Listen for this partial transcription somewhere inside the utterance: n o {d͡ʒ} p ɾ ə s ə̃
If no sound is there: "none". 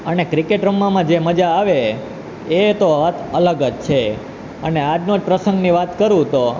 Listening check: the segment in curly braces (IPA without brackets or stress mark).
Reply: d͡ʒ